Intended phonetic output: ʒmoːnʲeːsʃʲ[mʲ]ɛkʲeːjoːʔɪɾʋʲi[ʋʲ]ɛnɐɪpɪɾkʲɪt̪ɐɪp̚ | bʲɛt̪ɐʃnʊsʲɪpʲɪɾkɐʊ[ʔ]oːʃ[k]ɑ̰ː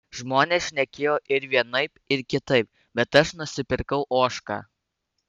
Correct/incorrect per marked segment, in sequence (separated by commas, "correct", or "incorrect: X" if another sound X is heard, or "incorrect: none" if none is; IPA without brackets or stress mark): incorrect: nʲ, incorrect: none, correct, correct